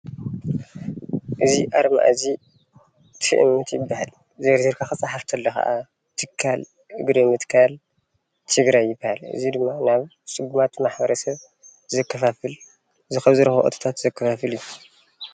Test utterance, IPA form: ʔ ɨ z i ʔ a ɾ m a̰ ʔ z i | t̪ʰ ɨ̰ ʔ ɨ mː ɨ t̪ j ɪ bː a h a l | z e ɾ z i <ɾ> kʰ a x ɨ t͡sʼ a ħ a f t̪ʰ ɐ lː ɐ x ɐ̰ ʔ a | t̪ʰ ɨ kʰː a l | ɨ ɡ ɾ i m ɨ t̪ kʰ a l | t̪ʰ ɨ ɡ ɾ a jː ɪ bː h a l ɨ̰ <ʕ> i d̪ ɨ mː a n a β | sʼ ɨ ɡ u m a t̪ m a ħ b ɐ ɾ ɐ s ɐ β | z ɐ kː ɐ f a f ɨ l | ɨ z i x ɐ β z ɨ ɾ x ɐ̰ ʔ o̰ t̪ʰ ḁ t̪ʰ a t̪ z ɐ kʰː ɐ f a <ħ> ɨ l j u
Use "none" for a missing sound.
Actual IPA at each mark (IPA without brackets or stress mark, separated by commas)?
ɾ, z, f